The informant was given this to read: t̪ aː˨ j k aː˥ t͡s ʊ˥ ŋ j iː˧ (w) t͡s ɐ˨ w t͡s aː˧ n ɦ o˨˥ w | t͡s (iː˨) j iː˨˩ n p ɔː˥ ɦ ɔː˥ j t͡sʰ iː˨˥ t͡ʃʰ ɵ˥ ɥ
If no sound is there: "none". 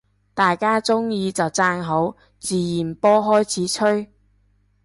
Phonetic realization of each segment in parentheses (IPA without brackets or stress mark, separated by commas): none, iː˨